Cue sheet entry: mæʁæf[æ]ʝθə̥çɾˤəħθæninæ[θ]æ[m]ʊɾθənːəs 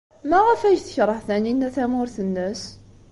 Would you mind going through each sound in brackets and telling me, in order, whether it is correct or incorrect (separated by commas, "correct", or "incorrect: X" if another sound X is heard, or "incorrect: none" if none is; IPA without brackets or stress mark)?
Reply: correct, correct, correct